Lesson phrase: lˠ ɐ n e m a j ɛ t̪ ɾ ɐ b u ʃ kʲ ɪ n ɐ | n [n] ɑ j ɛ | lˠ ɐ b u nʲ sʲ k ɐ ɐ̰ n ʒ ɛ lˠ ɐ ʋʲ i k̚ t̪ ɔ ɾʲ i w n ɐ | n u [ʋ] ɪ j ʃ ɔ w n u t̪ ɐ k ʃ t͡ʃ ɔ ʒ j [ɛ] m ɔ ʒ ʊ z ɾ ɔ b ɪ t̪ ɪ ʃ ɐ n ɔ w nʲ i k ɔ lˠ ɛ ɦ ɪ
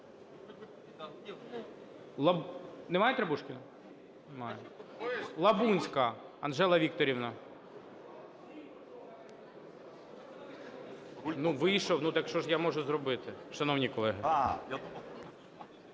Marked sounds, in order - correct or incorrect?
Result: incorrect: m, correct, incorrect: a

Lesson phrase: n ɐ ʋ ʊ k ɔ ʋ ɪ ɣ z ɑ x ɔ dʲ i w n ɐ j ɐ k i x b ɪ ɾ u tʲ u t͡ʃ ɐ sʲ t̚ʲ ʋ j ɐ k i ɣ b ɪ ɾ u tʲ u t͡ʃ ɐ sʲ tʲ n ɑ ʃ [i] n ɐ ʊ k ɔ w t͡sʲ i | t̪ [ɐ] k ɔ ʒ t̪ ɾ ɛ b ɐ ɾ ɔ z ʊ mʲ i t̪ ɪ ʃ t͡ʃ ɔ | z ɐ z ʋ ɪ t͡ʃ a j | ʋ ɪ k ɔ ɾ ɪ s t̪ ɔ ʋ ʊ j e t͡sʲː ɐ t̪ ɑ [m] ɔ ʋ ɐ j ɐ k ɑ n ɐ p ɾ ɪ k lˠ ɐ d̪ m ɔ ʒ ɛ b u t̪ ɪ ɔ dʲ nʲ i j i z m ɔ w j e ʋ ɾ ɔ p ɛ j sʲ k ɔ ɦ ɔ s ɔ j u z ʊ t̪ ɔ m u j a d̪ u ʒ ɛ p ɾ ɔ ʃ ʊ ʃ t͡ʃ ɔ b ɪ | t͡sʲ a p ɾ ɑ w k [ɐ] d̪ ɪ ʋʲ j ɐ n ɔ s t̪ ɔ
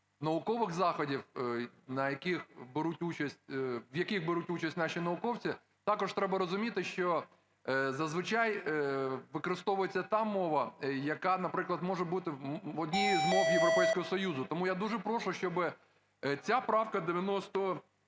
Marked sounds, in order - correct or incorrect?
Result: correct, incorrect: ɑ, correct, correct

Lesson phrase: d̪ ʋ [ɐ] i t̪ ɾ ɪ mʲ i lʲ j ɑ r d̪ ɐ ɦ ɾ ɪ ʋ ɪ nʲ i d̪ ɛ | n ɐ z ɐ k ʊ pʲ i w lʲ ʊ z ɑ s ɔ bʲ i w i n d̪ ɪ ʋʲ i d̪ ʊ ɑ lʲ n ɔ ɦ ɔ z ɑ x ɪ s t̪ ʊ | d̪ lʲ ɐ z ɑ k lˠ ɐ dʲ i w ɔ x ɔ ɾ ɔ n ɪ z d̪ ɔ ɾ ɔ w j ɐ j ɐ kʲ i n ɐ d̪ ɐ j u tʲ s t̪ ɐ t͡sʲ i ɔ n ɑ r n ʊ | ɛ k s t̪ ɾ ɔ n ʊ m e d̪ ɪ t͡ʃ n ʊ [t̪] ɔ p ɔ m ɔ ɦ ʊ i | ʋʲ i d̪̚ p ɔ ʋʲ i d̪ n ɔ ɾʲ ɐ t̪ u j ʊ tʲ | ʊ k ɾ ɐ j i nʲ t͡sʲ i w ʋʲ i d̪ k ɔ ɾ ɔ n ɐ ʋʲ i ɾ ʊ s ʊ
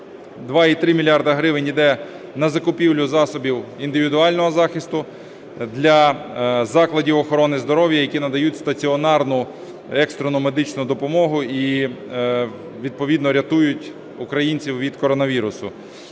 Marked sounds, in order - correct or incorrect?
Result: incorrect: ɑ, incorrect: d̪

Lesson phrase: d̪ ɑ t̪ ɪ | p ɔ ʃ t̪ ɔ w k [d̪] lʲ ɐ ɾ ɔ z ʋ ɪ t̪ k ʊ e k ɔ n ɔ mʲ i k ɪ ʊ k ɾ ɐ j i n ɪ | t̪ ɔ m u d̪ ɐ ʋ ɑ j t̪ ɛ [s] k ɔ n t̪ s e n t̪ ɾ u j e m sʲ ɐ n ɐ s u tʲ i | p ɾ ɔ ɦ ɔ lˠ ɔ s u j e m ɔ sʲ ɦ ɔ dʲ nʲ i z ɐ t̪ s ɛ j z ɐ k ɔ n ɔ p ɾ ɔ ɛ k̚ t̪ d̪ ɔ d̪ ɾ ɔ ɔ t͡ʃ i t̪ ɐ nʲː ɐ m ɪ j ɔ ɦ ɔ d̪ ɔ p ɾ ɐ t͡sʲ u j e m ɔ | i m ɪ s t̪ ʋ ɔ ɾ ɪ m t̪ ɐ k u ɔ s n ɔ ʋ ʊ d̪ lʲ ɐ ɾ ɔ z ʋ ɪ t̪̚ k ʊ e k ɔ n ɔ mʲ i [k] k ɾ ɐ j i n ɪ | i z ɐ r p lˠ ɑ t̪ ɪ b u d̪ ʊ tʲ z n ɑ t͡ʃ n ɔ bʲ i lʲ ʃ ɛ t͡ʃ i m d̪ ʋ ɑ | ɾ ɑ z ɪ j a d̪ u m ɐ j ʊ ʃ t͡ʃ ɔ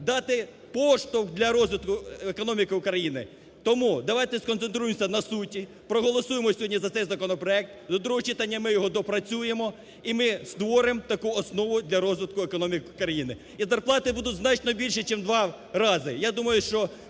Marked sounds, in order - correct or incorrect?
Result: correct, correct, correct

